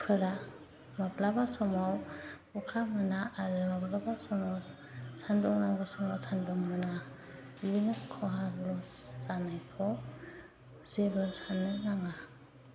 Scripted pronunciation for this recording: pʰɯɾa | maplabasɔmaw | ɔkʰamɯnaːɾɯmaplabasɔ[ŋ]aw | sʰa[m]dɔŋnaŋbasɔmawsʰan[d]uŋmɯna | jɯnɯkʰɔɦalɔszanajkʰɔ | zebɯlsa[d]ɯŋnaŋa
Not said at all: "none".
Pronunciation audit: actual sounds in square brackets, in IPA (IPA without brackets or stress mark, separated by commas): m, n, d, n